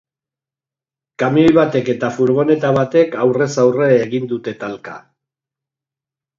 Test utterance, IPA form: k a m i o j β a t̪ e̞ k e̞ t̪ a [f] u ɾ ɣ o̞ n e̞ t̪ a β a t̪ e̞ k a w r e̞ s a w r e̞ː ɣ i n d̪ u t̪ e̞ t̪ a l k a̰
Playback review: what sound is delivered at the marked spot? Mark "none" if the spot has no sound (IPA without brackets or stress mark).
f